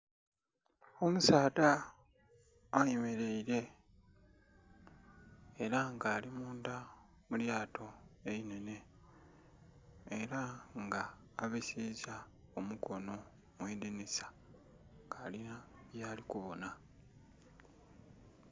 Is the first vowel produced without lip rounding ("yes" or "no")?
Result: no